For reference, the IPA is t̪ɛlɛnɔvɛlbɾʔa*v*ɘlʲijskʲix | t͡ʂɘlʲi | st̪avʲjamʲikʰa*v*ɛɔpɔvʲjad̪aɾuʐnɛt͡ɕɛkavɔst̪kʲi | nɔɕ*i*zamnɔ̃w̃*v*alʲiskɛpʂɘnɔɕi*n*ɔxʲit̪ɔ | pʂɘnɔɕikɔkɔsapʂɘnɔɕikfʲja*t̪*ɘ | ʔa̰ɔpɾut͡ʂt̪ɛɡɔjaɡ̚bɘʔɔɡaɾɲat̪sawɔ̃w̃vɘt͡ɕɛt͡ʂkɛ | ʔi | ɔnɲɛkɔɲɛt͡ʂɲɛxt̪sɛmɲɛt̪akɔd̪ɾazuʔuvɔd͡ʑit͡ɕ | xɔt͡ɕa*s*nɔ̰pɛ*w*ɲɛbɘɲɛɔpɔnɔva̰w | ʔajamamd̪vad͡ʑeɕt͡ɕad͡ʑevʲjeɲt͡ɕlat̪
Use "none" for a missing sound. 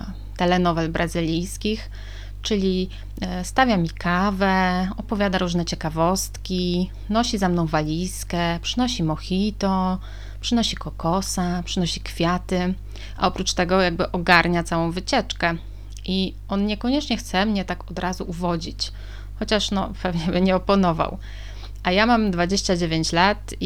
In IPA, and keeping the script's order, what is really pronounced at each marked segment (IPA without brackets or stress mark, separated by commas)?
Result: z, v, i, v, m, t̪, ʂ, v